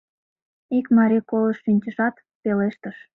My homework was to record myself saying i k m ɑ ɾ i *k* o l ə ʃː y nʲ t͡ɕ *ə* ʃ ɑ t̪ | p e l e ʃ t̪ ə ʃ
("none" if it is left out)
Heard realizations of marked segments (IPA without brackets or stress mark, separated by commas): k, ə